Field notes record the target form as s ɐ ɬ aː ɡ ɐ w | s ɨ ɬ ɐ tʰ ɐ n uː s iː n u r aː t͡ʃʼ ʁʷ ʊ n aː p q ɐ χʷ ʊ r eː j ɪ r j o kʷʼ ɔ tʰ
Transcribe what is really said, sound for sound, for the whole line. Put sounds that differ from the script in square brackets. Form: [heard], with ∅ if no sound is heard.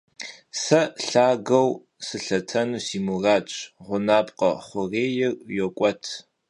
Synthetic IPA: s ɐ ɬ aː ɡ ɐ w | s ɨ ɬ ɐ tʰ ɐ n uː s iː [m] u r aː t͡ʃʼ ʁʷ ʊ n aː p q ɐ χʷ ʊ r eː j ɪ r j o kʷʼ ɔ tʰ